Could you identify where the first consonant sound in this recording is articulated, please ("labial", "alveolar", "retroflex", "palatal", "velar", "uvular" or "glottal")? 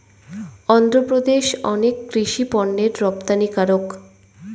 alveolar